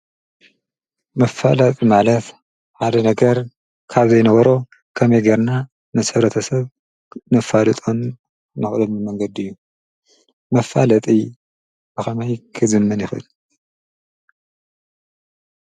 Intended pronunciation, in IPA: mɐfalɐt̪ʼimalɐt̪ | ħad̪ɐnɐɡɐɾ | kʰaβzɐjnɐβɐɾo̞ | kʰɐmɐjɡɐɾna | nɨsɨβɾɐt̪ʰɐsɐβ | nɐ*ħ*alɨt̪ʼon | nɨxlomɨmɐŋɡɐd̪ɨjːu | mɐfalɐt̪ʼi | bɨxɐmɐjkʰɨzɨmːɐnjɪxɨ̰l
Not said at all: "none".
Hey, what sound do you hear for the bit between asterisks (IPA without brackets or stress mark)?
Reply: f